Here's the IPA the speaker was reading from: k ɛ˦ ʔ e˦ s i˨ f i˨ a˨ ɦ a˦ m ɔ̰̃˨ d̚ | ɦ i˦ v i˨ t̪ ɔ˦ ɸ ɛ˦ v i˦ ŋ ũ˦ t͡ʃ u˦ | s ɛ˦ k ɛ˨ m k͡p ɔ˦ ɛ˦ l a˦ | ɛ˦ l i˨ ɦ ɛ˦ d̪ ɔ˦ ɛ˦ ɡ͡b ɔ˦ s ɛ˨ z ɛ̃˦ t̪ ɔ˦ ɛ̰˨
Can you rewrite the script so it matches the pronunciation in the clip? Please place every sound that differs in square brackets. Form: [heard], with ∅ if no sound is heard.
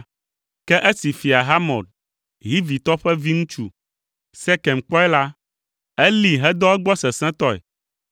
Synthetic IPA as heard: k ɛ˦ ʔ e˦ s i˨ f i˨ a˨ ɦ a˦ m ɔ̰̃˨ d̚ | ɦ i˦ v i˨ t̪ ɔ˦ ɸ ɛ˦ v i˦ ŋ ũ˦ t͡ʃ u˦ | s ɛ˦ k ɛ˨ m k͡p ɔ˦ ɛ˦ l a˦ | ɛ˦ l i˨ ɦ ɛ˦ d̪ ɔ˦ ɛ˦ ɡ͡b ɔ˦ s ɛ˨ [s] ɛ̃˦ t̪ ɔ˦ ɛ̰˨

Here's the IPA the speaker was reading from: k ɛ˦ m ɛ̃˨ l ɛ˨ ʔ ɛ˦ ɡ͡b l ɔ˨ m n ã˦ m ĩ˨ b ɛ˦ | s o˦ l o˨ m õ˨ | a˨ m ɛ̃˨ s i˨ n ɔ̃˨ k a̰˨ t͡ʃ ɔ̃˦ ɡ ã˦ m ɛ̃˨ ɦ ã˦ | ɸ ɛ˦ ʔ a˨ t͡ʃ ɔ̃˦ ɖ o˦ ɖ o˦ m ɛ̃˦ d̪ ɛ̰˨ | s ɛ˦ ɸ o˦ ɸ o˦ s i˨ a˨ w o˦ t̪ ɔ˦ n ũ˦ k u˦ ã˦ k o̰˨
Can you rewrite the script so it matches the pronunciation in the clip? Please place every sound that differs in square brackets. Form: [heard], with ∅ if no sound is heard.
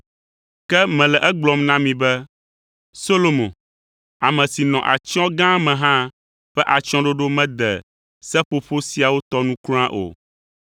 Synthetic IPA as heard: k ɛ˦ m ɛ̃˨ l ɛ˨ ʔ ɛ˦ ɡ͡b l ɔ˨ m n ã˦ m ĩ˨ b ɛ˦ | s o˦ l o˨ m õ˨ | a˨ m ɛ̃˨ s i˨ n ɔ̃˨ [ʔ] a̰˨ t͡ʃ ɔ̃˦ ɡ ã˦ m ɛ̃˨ ɦ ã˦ | ɸ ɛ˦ ʔ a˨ t͡ʃ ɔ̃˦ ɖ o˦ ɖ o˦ m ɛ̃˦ d̪ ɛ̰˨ | s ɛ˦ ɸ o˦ ɸ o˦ s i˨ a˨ w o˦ t̪ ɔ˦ n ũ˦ k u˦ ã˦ [ʔ] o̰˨

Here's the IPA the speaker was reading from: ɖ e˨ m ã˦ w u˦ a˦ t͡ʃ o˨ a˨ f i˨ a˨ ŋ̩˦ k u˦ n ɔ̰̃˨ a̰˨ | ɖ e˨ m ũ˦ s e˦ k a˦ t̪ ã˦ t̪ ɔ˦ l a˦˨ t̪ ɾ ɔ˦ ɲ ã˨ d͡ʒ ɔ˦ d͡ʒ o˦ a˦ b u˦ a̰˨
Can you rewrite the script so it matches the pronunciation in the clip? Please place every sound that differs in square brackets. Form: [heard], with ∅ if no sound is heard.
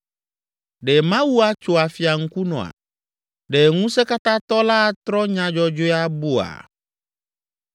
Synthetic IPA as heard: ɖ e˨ m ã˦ w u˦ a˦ t͡ʃ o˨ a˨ f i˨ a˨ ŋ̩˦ k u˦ n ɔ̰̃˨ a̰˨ | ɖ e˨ [ŋ] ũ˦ s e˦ k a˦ t̪ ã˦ t̪ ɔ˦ l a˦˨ t̪ ɾ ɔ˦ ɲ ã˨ d͡ʒ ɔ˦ d͡ʒ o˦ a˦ b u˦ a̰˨

